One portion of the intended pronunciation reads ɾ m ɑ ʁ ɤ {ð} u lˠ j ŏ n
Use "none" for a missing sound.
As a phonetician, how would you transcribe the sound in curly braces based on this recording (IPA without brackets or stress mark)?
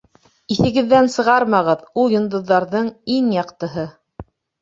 ð